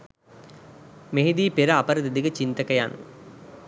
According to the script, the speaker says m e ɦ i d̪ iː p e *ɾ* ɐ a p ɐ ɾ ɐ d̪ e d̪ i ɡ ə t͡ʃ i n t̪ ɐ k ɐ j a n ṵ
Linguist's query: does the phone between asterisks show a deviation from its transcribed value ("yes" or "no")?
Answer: no